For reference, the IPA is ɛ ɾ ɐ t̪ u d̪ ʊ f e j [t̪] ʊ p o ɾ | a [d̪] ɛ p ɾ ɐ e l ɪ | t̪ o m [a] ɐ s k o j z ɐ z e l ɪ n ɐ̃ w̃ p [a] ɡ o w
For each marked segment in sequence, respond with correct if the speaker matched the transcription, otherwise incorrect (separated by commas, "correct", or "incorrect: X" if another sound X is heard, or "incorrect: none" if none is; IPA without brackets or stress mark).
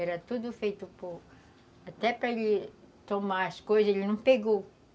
correct, incorrect: t̪, correct, incorrect: e